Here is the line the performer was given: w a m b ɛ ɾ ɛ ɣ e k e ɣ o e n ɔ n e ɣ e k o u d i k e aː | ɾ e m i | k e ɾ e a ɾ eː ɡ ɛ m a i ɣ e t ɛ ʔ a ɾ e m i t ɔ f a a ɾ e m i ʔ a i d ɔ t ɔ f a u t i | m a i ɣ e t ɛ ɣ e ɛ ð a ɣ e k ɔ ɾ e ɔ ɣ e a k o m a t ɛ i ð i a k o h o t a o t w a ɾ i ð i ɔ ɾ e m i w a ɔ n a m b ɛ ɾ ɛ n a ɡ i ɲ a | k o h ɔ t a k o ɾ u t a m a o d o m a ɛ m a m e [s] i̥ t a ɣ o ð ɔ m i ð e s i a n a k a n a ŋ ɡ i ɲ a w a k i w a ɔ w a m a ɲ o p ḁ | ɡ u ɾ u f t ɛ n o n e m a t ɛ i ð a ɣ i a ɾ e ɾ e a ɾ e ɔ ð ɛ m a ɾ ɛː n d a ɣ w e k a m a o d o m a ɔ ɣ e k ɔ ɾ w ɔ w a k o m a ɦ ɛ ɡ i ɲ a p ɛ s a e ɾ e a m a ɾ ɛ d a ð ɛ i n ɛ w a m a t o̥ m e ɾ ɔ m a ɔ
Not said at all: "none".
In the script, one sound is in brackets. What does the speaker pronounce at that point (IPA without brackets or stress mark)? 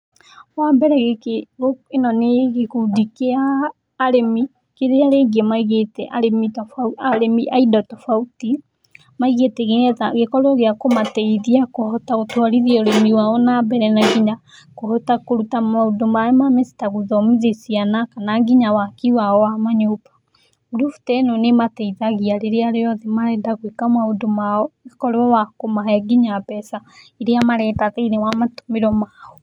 s